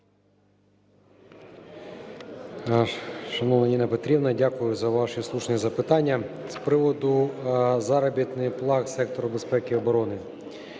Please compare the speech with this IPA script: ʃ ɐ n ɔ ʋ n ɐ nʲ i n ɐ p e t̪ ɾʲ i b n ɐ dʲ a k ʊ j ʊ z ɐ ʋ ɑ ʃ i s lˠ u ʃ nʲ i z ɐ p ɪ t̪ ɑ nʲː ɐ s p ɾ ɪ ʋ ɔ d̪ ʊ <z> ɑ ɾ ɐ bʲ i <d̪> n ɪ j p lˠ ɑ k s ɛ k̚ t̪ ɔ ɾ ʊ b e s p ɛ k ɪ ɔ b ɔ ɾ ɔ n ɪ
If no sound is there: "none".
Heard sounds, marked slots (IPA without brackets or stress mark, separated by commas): z, t̪